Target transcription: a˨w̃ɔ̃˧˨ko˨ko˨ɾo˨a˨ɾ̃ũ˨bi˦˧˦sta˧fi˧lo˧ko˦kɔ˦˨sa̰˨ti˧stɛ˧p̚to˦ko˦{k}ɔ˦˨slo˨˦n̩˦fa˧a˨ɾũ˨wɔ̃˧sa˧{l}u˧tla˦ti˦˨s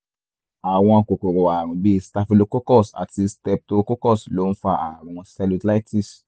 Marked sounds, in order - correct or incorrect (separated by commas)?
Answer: correct, correct